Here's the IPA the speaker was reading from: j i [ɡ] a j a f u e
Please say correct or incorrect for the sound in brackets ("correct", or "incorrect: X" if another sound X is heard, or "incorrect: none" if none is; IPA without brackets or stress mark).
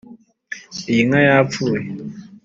incorrect: ŋ